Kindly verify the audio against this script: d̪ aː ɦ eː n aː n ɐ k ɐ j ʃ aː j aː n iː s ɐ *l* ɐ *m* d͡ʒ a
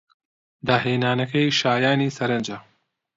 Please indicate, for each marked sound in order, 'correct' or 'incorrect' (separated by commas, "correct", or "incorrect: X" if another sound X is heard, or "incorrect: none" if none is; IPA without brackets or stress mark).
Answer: incorrect: ɾ, incorrect: n